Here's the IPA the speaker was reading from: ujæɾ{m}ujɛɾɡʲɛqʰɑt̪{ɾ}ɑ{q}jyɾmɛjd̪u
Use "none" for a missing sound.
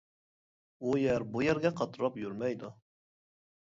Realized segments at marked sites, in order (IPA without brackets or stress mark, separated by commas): b, ɾ, p